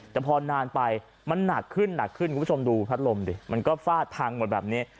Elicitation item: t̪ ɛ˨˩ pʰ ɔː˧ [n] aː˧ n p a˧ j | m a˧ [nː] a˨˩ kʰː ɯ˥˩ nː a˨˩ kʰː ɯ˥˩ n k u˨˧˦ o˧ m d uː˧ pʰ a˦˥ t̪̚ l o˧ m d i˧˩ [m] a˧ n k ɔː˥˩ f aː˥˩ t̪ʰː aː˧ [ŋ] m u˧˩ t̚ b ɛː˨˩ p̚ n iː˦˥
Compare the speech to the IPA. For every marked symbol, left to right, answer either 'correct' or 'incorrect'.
correct, correct, correct, correct

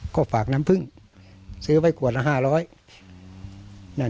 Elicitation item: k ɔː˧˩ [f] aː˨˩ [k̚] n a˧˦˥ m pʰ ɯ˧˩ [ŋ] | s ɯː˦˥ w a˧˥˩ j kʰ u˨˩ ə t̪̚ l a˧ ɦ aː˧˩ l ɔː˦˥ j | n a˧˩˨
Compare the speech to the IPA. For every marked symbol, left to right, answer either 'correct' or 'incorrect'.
correct, correct, correct

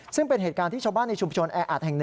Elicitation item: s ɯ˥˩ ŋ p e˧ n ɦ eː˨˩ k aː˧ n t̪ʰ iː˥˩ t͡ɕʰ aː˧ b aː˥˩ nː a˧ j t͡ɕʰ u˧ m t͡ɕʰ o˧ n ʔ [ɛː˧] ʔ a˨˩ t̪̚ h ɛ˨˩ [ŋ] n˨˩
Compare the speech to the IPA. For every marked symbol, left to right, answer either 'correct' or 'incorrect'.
correct, correct

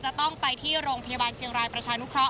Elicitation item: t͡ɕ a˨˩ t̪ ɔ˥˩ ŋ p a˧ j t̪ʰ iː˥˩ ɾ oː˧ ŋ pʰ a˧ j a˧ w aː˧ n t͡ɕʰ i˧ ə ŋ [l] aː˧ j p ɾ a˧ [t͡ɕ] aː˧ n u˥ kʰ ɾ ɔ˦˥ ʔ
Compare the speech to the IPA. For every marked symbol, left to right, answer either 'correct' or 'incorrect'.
incorrect, incorrect

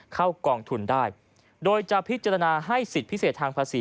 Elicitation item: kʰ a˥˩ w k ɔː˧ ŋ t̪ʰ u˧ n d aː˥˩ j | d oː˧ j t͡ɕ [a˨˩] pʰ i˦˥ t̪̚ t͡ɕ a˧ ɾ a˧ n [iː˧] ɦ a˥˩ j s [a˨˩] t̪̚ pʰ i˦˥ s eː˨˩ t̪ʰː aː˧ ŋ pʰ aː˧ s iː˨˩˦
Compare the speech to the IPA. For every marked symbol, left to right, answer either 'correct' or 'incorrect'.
correct, incorrect, incorrect

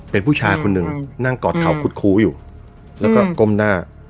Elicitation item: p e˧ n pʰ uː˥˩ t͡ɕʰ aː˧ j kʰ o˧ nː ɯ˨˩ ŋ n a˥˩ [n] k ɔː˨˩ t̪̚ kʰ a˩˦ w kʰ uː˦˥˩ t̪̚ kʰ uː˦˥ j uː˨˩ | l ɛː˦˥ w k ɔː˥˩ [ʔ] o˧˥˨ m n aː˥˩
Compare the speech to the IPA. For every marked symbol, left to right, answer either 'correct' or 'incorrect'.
incorrect, incorrect

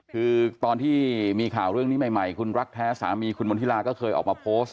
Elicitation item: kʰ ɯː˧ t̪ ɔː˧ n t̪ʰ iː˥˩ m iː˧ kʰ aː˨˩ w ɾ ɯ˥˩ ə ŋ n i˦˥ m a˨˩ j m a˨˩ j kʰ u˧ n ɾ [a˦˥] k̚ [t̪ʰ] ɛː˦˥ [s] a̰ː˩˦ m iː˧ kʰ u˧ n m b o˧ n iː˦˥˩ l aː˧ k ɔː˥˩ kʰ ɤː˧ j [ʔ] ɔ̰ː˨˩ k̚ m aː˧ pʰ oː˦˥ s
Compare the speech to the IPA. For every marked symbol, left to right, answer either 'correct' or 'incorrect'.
correct, correct, correct, correct

